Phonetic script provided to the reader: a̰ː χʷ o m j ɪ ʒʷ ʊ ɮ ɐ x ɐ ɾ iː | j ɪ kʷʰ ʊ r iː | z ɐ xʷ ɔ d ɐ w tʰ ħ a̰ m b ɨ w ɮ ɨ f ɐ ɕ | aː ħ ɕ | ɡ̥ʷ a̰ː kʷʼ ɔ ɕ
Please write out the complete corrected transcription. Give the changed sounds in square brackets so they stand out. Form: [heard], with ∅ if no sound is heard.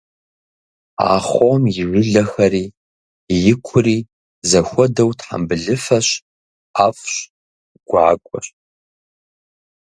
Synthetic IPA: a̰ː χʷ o m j ɪ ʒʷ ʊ ɮ ɐ x ɐ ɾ iː | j ɪ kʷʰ ʊ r iː | z ɐ xʷ ɔ d ɐ w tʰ ħ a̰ m b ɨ [∅] ɮ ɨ f ɐ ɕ | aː [f] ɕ | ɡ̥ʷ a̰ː kʷʼ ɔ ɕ